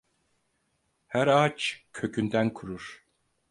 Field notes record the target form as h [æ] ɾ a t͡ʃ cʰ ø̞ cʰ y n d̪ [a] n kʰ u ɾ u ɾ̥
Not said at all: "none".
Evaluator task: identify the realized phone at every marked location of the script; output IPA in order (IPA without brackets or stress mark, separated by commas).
æ, æ